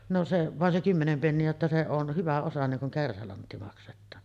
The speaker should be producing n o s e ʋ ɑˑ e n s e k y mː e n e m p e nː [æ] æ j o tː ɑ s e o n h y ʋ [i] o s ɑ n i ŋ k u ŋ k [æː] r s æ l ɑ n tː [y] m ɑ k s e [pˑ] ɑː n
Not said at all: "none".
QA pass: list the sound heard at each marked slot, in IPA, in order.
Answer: i, æ, æ, i, tˑ

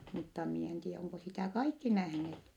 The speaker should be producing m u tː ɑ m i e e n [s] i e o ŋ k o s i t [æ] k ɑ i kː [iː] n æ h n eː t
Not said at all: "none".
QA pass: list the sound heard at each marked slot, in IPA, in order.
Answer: t, æ, i

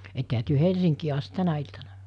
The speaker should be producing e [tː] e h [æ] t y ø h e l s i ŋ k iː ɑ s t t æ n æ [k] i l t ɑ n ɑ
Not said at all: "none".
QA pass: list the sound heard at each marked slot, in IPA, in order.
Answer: tː, æ, none

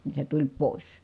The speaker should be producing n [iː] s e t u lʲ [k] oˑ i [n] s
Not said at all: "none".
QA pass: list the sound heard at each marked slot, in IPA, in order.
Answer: i, p, none

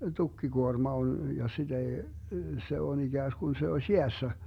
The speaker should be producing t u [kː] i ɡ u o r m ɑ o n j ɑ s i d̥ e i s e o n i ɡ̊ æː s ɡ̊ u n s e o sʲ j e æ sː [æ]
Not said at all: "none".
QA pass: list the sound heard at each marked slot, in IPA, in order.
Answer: kː, æ

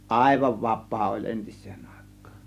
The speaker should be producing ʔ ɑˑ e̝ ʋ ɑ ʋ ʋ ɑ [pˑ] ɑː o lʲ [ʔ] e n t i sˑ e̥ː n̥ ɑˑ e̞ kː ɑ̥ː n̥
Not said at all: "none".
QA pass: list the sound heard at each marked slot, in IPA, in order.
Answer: pˑ, ʔ

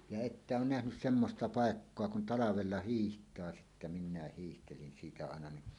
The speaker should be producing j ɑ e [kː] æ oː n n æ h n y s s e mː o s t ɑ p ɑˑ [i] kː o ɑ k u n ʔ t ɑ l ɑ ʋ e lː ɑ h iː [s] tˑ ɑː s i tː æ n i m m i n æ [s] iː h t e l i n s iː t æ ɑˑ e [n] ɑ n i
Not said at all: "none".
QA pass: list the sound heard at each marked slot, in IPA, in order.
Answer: tː, e, h, h, n

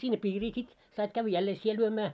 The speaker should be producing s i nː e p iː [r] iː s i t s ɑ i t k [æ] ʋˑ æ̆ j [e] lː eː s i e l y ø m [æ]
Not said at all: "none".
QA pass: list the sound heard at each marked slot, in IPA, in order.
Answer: r, æ, æ, æː

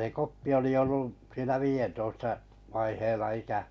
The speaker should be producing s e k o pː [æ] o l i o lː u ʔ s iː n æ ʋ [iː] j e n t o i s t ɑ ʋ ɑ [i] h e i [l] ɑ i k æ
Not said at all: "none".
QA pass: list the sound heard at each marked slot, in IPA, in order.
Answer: i, iː, i, lː

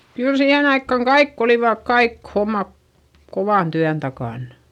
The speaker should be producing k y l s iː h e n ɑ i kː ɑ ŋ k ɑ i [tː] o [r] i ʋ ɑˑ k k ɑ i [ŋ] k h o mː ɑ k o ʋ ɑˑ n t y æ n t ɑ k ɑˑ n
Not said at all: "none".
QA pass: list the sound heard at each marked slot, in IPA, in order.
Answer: kː, l, none

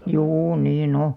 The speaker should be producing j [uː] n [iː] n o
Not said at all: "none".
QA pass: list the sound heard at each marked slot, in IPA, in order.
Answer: uː, iː

